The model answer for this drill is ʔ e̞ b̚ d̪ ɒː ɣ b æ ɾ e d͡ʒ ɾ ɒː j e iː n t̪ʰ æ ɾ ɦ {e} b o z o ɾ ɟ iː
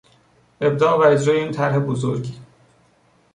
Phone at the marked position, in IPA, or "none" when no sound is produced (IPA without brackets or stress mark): e